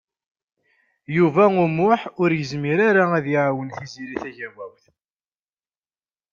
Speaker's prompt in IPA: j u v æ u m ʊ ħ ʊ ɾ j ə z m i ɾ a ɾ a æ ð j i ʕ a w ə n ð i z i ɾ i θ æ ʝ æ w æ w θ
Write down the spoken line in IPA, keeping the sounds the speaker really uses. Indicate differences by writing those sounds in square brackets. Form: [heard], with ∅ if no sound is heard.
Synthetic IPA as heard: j u v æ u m ʊ ħ ʊ ɾ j ə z m i ɾ a ɾ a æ ð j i ʕ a w ə n [θ] i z i ɾ i θ æ ʝ æ w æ w θ